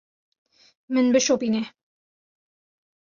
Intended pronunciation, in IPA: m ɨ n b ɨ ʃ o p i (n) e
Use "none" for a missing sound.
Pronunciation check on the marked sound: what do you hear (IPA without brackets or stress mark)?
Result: n